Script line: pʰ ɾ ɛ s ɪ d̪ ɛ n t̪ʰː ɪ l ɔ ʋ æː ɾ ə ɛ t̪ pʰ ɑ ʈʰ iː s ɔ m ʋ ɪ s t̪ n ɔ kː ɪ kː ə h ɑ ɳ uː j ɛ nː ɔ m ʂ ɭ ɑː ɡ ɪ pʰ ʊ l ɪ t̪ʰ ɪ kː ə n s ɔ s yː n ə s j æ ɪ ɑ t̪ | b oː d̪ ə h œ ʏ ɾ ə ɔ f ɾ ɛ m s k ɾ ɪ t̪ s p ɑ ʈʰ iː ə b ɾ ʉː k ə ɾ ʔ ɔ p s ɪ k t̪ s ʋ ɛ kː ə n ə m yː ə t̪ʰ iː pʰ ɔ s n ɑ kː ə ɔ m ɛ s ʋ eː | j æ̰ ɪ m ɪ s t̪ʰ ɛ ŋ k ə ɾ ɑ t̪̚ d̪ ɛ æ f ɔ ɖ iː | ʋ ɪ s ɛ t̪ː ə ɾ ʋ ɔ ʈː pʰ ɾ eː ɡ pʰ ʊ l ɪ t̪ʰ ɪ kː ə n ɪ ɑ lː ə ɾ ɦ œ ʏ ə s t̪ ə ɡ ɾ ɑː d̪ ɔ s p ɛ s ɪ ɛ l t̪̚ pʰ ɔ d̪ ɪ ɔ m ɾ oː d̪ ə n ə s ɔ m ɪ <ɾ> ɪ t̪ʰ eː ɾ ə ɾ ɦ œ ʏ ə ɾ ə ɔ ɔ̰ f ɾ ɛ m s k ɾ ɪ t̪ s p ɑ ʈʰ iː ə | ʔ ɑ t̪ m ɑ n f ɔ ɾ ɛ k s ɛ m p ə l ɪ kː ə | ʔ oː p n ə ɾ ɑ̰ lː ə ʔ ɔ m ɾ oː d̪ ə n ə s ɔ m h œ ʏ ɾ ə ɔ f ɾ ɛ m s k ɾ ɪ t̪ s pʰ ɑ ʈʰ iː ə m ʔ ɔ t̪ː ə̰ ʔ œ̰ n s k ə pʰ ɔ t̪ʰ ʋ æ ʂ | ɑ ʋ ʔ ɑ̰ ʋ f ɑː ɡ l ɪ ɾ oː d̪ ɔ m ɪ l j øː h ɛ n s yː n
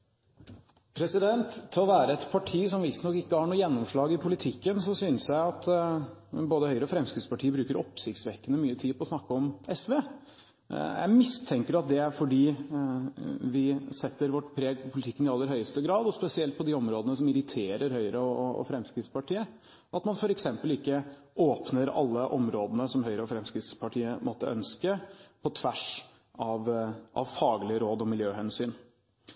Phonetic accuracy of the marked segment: correct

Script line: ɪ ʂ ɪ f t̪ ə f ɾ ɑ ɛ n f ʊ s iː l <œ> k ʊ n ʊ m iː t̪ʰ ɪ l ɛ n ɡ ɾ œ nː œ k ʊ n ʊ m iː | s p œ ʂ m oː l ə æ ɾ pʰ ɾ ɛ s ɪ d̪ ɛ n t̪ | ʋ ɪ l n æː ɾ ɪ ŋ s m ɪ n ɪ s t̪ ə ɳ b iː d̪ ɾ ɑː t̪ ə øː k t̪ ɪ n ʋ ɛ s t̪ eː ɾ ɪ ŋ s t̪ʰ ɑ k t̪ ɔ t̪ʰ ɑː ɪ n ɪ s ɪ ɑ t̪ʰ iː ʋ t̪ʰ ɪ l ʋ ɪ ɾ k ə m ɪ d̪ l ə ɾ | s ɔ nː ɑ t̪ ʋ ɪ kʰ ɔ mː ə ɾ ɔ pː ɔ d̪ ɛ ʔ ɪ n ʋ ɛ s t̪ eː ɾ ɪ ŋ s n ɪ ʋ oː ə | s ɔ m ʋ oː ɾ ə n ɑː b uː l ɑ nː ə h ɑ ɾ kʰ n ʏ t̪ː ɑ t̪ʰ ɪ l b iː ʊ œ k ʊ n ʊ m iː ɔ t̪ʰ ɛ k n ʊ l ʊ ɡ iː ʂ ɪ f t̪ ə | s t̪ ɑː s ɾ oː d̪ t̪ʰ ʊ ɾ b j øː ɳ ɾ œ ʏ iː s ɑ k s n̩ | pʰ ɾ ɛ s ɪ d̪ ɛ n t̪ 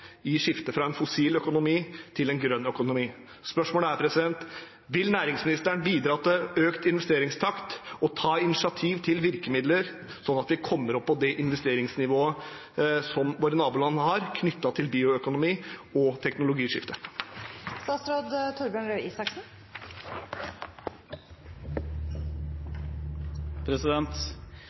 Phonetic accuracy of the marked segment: correct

